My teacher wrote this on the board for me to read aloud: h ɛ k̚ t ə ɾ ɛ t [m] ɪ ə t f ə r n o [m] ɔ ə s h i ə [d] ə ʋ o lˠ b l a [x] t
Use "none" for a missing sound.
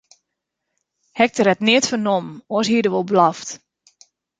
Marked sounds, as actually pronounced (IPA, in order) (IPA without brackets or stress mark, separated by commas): n, m, d, f